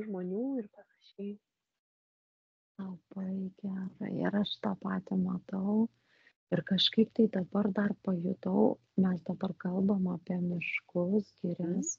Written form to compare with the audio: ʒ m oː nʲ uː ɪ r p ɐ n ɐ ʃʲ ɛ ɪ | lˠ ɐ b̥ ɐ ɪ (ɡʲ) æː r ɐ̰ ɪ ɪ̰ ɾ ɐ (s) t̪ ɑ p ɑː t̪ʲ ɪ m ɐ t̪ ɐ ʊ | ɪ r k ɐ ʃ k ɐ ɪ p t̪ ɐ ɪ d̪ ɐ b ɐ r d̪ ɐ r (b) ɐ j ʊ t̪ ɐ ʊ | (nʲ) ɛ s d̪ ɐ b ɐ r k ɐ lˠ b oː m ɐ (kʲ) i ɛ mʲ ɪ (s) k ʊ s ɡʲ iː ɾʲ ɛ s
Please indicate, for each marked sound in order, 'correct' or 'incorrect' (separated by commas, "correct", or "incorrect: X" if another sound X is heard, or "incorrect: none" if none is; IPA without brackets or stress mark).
correct, incorrect: ʃ, incorrect: p, incorrect: mʲ, incorrect: pʲ, incorrect: ʃ